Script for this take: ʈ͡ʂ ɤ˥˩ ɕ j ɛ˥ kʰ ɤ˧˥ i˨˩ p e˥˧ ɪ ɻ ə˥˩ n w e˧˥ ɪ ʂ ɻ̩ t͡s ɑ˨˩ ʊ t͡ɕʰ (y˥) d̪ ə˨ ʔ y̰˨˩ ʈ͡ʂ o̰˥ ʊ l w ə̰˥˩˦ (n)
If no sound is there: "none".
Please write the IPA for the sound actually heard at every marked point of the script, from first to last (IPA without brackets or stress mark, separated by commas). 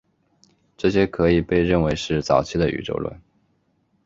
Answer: i˥, n